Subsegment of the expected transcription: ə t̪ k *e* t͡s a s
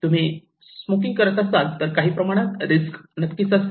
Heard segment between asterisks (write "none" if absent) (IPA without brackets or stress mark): i